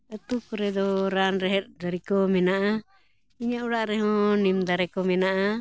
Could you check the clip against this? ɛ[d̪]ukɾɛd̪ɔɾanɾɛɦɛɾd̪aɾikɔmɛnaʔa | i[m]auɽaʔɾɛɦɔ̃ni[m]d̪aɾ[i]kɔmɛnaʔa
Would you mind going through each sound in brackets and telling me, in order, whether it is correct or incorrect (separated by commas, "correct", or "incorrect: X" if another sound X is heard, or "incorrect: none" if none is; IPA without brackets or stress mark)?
incorrect: t̪, incorrect: ɲ, correct, incorrect: ɛ